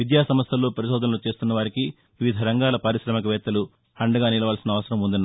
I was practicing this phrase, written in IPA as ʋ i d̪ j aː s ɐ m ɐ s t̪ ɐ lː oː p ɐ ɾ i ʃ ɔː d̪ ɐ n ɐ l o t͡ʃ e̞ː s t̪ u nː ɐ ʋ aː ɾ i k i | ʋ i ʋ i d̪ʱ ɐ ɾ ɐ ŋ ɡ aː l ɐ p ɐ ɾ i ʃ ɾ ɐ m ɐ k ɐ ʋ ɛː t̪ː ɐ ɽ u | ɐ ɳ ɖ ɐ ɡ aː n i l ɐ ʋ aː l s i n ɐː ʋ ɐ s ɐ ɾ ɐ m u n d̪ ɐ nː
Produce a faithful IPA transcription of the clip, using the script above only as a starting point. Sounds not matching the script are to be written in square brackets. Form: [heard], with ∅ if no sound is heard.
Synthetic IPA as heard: ʋ i d̪ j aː s ɐ m ɐ s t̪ ɐ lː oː p ɐ ɾ i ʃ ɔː d̪ ɐ n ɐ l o t͡ʃ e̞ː s t̪ u nː ɐ ʋ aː ɾ i k i | ʋ i ʋ i d̪ʱ ɐ ɾ ɐ ŋ ɡ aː l ɐ p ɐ ɾ i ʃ ɾ ɐ m ɐ k ɐ ʋ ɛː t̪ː ɐ [l] u | ɐ ɳ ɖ ɐ ɡ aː n i l ɐ ʋ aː l s i n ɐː ʋ ɐ s ɐ ɾ ɐ m u n d̪ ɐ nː